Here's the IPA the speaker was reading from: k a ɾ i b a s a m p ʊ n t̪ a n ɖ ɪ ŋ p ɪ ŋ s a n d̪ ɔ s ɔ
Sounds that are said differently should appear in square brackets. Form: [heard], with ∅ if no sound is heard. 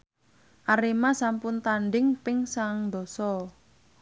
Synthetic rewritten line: [ʔ] a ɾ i [m] a s a m p ʊ n t̪ a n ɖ ɪ ŋ p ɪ ŋ s a [ŋ] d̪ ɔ s ɔ